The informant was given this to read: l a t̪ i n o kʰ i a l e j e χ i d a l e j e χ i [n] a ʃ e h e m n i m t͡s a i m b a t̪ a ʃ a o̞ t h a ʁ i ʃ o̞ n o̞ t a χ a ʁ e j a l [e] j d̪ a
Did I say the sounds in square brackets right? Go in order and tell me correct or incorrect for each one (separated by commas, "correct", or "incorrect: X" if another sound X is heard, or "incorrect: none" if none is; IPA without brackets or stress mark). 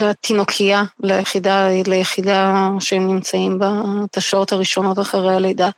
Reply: incorrect: d, correct